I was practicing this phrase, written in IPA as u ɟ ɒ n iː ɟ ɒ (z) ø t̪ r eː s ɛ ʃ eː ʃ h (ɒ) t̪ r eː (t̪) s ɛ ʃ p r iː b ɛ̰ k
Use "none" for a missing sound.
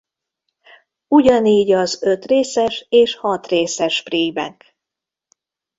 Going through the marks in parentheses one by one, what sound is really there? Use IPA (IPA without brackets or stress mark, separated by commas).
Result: z, ɒ, none